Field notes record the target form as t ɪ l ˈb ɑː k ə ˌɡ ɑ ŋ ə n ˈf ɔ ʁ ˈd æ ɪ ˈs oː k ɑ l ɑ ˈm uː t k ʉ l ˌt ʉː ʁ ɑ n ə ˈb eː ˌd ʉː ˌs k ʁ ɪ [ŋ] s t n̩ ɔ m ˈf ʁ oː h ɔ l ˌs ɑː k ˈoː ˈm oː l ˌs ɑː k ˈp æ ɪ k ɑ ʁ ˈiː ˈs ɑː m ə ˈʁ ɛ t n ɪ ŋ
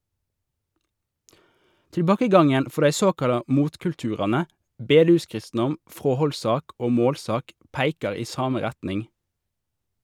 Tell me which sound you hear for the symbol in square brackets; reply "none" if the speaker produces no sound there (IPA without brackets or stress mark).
none